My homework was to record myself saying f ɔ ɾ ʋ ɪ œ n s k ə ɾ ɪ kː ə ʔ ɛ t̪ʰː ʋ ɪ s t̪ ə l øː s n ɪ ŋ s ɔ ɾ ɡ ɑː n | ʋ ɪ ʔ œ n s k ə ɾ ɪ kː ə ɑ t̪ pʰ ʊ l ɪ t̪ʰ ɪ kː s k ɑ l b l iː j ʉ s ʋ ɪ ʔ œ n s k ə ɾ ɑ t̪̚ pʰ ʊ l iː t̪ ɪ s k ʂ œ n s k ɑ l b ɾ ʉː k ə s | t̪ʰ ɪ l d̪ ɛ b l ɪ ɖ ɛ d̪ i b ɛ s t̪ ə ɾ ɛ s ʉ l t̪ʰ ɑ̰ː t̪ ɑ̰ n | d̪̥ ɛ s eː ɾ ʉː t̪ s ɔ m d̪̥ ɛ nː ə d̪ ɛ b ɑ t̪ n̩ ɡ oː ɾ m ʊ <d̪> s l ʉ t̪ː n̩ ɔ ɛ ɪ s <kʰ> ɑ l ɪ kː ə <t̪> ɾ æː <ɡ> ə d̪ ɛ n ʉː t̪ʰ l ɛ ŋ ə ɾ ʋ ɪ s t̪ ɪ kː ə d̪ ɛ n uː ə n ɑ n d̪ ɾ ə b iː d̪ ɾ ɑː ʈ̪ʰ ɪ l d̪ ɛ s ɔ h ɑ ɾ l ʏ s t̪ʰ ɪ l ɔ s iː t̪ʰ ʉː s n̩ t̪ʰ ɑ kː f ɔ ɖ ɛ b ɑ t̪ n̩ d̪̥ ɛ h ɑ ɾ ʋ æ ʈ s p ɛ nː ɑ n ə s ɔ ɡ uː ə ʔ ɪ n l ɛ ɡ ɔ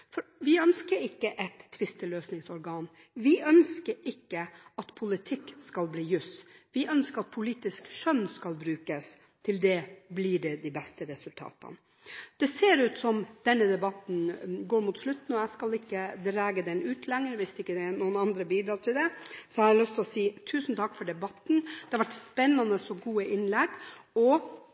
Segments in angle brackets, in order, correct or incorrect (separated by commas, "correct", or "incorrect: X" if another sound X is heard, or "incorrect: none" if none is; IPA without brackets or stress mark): incorrect: t̪, incorrect: k, incorrect: d̪, correct